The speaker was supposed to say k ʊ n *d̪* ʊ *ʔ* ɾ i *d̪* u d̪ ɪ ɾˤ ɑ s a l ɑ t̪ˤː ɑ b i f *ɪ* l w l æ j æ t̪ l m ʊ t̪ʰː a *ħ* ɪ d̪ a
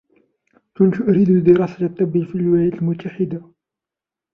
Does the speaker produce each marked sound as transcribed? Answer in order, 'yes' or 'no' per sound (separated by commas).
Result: no, yes, yes, no, yes